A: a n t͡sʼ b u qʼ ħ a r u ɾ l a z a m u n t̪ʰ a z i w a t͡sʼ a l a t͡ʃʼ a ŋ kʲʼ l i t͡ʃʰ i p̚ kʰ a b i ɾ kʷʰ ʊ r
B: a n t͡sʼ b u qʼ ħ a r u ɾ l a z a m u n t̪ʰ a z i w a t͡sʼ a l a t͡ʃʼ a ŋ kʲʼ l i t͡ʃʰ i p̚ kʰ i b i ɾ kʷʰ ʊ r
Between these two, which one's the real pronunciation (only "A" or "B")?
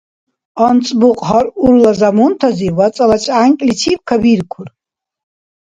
A